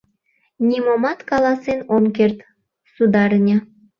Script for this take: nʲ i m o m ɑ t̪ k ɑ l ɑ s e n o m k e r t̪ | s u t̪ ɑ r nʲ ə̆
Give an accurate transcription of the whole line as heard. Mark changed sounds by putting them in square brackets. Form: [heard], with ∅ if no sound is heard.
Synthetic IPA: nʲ i m o m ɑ t̪ k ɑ l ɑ s e n o m k e r t̪ | s u [d̪] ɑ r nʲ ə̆